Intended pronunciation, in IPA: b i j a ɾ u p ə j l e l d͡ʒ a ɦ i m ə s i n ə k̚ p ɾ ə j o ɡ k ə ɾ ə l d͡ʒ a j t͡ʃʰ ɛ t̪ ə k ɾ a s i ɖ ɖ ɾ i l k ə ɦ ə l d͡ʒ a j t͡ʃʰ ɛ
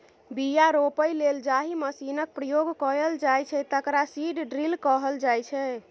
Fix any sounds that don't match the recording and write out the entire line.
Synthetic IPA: b i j a ɾ o p ə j l e l d͡ʒ a ɦ i m ə s i n ə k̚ p ɾ ə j o ɡ k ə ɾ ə l d͡ʒ a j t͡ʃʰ ɛ t̪ ə k ɾ a s i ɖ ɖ ɾ i l k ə ɦ ə l d͡ʒ a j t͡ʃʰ ɛ